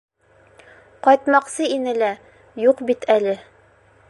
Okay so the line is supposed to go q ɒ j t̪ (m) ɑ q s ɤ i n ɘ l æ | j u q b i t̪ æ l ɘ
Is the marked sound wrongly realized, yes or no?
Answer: no